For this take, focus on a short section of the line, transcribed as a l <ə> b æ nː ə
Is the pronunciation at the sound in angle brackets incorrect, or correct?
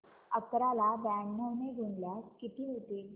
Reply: incorrect